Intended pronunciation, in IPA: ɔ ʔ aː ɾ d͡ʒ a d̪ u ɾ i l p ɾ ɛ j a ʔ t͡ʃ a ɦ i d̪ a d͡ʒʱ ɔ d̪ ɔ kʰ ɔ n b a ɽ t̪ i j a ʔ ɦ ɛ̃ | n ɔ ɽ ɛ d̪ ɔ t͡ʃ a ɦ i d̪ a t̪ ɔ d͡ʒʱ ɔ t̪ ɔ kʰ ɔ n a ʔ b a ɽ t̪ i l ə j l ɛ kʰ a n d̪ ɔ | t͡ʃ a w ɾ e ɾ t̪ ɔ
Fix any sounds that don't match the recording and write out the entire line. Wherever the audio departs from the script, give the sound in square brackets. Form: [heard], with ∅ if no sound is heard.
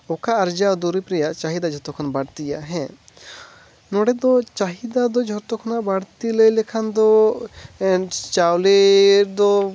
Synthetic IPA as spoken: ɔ [k] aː ɾ d͡ʒ a d̪ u ɾ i [∅] p ɾ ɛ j a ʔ t͡ʃ a ɦ i d̪ a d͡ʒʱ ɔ [t̪] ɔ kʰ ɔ n b a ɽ t̪ i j a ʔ ɦ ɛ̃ | n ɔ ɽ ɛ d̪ ɔ t͡ʃ a ɦ i d̪ a [d̪] ɔ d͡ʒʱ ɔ t̪ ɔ kʰ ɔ n a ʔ b a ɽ t̪ i l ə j l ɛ kʰ a n d̪ ɔ | t͡ʃ a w [l] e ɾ [d̪] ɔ